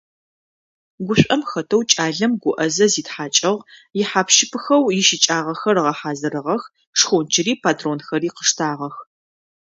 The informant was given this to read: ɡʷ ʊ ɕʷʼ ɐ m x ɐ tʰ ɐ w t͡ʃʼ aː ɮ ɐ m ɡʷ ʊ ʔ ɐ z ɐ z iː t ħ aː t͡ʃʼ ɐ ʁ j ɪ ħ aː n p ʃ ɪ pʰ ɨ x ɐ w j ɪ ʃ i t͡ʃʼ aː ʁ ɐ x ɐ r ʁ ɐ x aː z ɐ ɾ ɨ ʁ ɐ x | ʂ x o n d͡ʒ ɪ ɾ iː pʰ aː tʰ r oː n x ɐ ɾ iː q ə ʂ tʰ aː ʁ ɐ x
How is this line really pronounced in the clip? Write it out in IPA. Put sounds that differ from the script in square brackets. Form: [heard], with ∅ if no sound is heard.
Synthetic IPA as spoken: ɡʷ ʊ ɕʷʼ ɐ m x ɐ tʰ ɐ w t͡ʃʼ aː ɮ ɐ m ɡʷ ʊ ʔ ɐ z ɐ z iː t ħ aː t͡ʃʼ ɐ ʁ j ɪ ħ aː [∅] p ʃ ɪ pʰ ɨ x ɐ w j ɪ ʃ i t͡ʃʼ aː ʁ ɐ x ɐ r ʁ ɐ [ħ] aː z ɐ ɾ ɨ ʁ ɐ x | ʂ x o n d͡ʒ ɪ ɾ iː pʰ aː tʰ r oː n x ɐ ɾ iː q ə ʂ tʰ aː ʁ ɐ x